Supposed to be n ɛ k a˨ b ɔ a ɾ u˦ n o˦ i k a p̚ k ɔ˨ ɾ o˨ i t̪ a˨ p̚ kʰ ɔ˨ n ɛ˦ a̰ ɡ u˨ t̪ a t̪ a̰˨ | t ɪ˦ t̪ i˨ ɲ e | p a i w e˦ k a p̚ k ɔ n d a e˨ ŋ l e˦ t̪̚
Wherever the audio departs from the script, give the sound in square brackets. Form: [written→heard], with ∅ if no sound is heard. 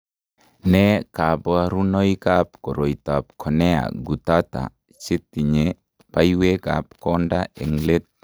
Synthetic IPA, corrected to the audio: n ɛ k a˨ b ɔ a ɾ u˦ n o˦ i k a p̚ k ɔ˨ ɾ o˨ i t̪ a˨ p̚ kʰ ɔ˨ n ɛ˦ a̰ ɡ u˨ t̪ a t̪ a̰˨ | [t→t͡ʃ] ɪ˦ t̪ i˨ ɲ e | p a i w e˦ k a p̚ k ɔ n d a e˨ ŋ l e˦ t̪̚